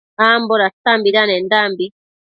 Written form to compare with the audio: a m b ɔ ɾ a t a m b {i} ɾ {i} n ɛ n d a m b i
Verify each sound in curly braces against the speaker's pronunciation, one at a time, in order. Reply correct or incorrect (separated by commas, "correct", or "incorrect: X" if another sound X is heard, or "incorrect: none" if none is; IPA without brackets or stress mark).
correct, incorrect: a